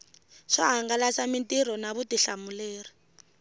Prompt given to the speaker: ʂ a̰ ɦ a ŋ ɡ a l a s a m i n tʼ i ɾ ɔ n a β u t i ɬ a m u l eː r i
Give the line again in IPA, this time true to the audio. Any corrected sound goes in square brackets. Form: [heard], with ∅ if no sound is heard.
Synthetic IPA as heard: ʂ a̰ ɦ a ŋ ɡ a l a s a m i n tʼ i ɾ ɔ n a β u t i ɬ a m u l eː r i